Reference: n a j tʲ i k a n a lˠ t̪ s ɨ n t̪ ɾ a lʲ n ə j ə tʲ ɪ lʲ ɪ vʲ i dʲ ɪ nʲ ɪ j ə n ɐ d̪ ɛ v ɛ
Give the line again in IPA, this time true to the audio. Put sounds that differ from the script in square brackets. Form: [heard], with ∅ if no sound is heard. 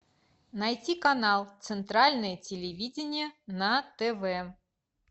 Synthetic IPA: n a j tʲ i k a n a lˠ t̪ s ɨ n t̪ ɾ a lʲ n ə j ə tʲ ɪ lʲ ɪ vʲ i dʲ ɪ nʲ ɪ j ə n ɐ [t̪] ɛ v ɛ